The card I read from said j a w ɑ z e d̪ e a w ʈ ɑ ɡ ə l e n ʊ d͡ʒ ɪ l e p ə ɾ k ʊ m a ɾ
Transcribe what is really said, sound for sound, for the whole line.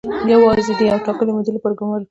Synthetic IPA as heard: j a w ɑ z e d̪ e a w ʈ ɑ k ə l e m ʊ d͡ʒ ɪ l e p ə ɾ ɡ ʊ m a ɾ